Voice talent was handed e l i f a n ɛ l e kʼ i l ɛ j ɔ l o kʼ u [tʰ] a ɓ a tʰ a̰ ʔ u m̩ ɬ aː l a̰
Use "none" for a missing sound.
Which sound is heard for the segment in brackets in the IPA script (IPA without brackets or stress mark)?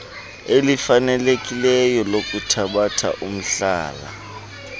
tʰ